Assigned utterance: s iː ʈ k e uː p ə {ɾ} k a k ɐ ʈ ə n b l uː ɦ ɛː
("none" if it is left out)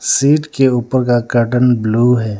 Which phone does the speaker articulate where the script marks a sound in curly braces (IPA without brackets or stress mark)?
ɾ